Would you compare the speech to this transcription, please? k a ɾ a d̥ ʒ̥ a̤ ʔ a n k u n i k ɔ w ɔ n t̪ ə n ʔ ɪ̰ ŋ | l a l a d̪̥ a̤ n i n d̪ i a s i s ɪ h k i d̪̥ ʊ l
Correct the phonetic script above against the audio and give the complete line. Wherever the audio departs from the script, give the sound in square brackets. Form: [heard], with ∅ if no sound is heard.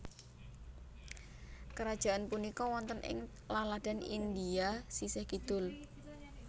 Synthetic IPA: k [ə] ɾ a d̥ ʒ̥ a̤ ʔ a n [p] u n i k ɔ w ɔ n t̪ ə n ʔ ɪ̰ ŋ | l a l a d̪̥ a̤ n i n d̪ i a s i s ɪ h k i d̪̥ ʊ l